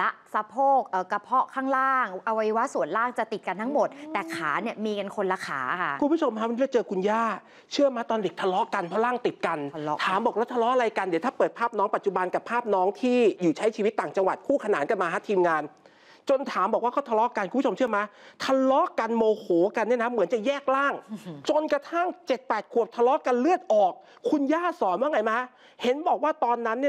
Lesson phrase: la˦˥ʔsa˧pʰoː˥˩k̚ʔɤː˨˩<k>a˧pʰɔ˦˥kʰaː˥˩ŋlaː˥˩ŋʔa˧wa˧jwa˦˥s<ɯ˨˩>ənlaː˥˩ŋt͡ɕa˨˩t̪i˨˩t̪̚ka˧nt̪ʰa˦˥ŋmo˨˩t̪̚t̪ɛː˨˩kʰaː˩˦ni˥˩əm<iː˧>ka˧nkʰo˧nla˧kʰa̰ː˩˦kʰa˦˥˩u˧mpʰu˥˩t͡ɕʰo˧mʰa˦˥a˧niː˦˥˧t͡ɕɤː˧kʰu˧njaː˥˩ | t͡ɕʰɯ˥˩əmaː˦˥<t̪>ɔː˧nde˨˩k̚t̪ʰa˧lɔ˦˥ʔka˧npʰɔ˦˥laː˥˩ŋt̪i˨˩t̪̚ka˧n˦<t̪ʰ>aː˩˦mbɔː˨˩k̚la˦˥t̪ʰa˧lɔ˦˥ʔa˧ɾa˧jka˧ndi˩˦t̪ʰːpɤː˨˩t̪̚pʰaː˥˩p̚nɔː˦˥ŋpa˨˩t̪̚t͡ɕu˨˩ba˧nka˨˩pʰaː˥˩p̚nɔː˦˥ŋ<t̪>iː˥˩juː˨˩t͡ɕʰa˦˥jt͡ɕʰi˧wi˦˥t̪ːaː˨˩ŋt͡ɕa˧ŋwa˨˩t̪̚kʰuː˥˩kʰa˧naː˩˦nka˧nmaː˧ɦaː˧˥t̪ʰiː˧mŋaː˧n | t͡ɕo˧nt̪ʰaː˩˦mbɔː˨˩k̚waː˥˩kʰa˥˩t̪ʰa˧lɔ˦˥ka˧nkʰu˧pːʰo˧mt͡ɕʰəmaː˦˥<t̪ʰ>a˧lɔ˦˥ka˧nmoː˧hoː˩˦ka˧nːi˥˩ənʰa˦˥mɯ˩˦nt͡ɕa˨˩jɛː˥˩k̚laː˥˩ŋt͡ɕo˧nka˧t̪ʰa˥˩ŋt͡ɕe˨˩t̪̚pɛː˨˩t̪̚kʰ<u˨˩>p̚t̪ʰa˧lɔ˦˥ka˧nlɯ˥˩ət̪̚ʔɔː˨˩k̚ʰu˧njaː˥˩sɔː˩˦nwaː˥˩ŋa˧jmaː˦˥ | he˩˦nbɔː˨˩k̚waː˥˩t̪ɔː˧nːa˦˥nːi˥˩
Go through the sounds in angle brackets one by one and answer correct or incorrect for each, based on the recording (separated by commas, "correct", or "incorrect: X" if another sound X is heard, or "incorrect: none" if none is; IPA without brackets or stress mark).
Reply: correct, incorrect: u˨˩, correct, correct, correct, incorrect: t̪ʰ, correct, correct